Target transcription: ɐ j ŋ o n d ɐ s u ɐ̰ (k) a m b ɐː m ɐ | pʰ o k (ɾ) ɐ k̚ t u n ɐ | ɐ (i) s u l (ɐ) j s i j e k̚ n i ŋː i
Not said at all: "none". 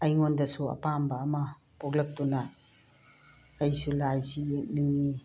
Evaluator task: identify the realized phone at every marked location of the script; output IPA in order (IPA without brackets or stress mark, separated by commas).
p, l, j, a